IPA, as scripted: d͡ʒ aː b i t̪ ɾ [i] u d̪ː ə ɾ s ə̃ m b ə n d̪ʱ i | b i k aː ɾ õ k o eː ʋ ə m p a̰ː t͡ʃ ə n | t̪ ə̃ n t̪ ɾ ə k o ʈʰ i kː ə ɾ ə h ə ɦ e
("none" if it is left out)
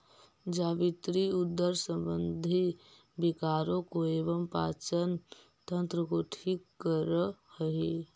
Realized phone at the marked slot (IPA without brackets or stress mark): i